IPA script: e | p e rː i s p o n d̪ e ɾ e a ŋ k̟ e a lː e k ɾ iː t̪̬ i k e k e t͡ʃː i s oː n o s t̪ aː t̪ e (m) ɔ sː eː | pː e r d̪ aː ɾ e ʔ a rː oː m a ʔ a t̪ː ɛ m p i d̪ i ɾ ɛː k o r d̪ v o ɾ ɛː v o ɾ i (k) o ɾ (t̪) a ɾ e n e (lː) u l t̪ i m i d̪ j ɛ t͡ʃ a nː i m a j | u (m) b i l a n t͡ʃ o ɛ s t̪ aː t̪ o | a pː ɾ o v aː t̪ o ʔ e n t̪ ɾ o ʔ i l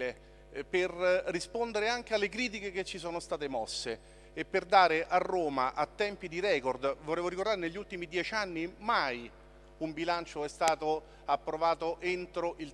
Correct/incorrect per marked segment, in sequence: correct, correct, incorrect: d̪, incorrect: ʎː, correct

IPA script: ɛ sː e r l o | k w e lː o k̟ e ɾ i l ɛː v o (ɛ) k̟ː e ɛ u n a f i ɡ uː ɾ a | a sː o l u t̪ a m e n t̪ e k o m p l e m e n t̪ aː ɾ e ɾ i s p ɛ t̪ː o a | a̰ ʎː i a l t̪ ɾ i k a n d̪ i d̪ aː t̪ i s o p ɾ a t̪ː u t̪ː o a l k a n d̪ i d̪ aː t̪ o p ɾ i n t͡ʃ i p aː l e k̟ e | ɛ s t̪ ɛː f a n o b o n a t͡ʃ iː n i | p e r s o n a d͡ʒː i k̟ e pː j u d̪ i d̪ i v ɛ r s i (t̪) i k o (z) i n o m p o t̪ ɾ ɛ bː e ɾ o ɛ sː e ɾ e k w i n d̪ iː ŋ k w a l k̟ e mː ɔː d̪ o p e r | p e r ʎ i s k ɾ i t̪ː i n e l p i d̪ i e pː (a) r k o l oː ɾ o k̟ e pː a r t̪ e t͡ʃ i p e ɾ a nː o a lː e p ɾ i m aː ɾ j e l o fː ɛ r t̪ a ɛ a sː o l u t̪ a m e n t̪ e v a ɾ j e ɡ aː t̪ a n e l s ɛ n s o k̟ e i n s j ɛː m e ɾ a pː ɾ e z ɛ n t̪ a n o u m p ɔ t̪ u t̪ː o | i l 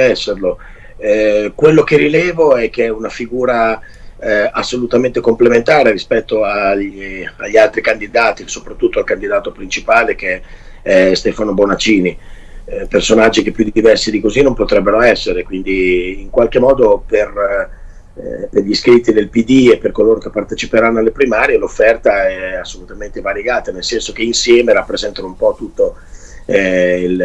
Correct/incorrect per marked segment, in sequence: correct, incorrect: d̪, correct, incorrect: e

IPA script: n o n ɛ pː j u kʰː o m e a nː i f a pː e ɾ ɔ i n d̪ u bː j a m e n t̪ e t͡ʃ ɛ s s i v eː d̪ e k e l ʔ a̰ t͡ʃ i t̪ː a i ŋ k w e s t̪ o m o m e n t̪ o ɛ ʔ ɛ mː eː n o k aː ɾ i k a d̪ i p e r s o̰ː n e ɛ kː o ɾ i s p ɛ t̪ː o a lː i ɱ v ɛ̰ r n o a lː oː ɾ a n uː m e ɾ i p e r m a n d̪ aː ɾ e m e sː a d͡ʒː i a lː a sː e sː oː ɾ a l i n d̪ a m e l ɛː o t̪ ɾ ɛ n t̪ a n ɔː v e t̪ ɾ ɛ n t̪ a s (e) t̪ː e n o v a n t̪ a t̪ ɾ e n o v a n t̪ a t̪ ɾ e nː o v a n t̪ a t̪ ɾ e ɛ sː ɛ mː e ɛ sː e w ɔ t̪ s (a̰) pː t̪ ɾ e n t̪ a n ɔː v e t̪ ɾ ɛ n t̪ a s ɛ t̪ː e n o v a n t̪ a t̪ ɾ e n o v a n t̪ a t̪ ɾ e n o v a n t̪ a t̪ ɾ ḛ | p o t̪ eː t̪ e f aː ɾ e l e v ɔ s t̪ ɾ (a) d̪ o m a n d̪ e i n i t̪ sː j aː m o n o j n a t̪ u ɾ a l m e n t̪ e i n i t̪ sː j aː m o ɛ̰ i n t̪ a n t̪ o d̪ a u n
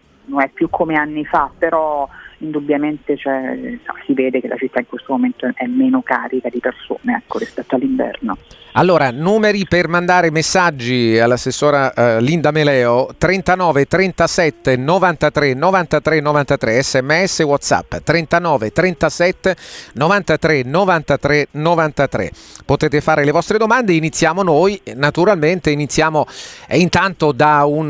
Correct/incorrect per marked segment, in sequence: incorrect: ɛ, correct, incorrect: e

